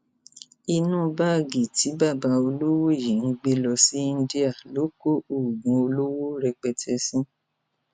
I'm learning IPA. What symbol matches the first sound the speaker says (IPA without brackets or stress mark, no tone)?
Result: i